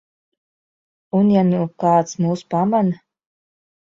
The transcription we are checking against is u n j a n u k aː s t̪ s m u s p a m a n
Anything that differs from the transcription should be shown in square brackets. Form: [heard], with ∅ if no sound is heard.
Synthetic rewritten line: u n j a n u k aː [∅] t̪ s m [uː] s p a m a n